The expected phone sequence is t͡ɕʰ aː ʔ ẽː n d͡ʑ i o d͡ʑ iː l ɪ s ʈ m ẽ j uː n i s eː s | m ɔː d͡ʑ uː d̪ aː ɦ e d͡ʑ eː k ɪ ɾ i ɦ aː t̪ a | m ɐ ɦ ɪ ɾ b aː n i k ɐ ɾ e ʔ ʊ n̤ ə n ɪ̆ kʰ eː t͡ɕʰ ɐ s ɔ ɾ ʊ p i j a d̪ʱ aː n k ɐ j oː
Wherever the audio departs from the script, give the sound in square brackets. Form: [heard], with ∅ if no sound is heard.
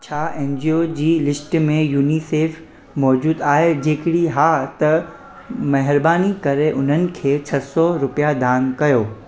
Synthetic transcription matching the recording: t͡ɕʰ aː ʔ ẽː n d͡ʑ i o d͡ʑ iː l ɪ s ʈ m ẽ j uː n i s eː [f] | m ɔː d͡ʑ uː d̪ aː ɦ e d͡ʑ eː k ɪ [ɽ] i ɦ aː t̪ [ɐ] | m ɐ ɦ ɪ ɾ b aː n i k ɐ ɾ e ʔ ʊ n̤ ə n ɪ̆ kʰ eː t͡ɕʰ ɐ s ɔ ɾ ʊ p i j a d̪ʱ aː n k ɐ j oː